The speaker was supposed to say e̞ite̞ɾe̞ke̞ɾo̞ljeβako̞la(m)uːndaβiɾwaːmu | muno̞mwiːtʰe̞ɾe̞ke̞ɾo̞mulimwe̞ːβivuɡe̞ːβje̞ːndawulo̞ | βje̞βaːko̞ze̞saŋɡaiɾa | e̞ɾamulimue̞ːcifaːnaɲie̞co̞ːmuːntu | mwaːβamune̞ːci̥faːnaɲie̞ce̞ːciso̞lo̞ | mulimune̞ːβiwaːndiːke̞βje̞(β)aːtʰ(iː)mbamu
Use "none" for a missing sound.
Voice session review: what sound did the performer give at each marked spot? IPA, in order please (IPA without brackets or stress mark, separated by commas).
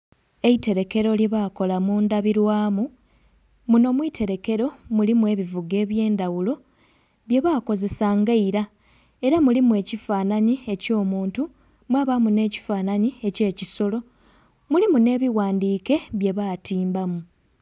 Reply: m, β, iː